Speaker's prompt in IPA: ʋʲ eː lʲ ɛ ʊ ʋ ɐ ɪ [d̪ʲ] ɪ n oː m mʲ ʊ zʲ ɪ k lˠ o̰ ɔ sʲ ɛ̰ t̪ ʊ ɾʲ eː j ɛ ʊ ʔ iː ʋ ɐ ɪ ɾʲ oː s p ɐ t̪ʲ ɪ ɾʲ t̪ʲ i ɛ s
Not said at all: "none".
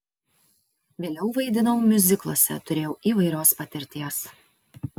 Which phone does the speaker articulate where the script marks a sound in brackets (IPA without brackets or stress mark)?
d̪ʲ